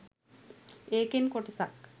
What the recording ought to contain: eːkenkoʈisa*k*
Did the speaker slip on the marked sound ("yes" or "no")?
no